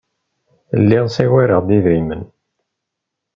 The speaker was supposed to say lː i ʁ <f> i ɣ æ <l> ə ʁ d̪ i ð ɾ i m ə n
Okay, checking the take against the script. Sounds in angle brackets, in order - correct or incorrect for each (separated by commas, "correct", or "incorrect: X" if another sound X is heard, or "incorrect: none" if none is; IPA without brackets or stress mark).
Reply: incorrect: s, incorrect: ɾ